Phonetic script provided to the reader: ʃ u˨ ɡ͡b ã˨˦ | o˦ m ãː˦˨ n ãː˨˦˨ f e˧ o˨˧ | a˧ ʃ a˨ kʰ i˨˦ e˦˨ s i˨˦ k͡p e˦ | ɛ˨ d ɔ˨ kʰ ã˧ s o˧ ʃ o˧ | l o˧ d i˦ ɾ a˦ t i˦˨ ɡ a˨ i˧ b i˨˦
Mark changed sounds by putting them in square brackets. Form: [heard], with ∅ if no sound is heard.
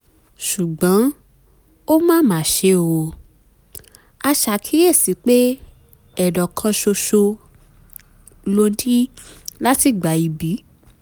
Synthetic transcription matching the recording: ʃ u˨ ɡ͡b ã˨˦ | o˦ m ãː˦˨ [m] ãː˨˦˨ [ʃ] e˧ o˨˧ | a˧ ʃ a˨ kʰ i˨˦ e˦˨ s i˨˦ k͡p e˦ | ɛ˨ d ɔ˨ kʰ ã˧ [ʃ] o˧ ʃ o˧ | l o˧ d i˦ [l] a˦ t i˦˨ [ɡ͡b] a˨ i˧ b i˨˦